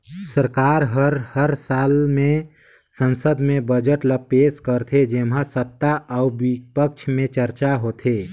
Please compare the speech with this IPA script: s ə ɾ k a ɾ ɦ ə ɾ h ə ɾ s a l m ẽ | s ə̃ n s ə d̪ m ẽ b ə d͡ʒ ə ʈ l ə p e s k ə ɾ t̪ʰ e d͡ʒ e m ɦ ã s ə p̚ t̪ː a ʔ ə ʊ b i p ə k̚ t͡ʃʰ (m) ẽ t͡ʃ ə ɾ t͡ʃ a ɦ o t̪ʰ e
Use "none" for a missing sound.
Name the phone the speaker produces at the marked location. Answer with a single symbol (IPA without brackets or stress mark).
m